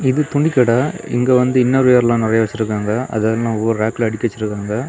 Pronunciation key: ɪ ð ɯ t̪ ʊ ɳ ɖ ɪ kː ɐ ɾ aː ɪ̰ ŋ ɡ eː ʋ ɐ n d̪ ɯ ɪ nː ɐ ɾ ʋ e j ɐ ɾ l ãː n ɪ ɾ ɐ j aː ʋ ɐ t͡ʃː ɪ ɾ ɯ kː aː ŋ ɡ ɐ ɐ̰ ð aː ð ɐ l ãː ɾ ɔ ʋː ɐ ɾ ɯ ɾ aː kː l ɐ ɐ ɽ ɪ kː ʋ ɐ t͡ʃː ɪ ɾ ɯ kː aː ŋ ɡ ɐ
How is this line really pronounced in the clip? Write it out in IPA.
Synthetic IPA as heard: ɪ ð ɯ t̪ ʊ ɳ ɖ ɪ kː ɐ ɽ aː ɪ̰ ŋ ɡ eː ʋ ɐ n d̪ ɯ ɪ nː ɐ ɾ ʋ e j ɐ ɾ l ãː n ɪ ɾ ɐ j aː ʋ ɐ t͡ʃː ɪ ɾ ɯ kː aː ŋ ɡ ɐ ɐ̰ ð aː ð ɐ l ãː ɔ ʋː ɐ ɾ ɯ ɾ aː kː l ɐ ɐ ɽ ɪ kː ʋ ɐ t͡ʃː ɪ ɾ ɯ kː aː ŋ ɡ ɐ